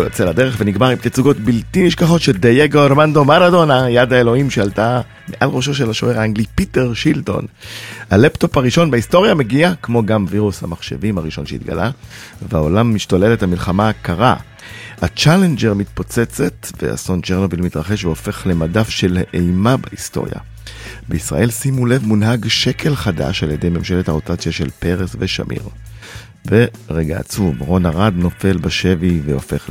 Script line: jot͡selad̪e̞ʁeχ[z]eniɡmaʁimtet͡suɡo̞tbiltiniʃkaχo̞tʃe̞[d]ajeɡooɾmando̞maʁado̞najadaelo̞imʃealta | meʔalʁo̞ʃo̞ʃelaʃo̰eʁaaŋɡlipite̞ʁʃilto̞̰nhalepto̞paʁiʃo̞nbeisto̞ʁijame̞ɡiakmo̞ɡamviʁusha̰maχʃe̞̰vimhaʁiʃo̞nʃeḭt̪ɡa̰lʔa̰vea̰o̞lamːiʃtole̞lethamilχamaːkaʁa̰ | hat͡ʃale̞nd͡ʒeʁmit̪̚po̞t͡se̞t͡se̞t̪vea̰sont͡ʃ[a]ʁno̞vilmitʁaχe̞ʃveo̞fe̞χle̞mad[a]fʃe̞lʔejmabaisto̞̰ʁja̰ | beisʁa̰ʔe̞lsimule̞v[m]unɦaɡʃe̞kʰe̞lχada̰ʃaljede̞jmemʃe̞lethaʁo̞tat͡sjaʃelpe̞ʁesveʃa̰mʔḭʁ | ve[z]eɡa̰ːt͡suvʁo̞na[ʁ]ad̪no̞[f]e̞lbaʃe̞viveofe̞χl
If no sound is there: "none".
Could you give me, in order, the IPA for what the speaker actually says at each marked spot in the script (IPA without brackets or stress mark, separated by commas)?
v, d, e, a, m, ʁ, ʁ, f